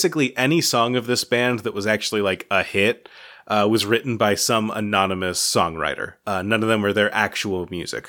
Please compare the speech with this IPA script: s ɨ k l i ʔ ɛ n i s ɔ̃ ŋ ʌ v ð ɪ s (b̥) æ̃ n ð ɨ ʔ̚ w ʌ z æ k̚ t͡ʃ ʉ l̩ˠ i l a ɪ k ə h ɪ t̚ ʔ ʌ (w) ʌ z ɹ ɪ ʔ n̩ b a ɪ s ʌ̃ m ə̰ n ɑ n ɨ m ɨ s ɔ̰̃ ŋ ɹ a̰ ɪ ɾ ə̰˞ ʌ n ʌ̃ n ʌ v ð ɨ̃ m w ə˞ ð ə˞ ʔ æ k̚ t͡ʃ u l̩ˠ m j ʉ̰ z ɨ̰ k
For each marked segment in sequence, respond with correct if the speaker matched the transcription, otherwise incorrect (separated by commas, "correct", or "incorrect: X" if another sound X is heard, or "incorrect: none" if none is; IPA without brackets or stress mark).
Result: correct, correct